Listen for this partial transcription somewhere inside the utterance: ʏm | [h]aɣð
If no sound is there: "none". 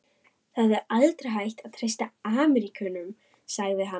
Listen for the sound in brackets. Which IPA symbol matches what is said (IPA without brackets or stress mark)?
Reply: s